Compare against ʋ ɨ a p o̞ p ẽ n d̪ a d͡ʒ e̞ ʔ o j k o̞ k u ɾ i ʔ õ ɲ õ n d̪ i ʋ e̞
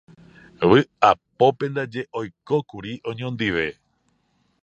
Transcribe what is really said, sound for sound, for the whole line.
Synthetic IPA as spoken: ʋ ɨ a p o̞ p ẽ n d̪ a d͡ʒ e̞ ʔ o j k o̞ k u ɾ i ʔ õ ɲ õ n d̪ i ʋ e̞